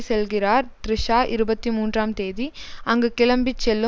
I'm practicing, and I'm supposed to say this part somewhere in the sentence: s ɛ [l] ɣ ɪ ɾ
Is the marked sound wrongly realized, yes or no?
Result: no